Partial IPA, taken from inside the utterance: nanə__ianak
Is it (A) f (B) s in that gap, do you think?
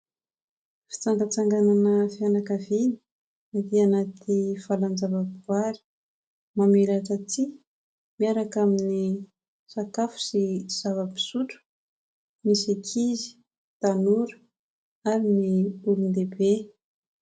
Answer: A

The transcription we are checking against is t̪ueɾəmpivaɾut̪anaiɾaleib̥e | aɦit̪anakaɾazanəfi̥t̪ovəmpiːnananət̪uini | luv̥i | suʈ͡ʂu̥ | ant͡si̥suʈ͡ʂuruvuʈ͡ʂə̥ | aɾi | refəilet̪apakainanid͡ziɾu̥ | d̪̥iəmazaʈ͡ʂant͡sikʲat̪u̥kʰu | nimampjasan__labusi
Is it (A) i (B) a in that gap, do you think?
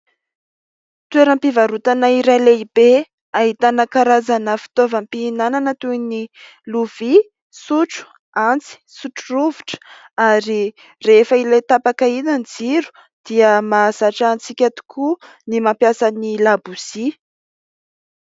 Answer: A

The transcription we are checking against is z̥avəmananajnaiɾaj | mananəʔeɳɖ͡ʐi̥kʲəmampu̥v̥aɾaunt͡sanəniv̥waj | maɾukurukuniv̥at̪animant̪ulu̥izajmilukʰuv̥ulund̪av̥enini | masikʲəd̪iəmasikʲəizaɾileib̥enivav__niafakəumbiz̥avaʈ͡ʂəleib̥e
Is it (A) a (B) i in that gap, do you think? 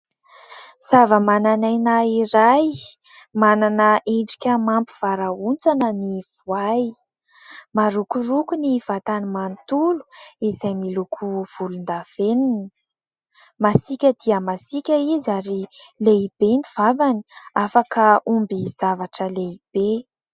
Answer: A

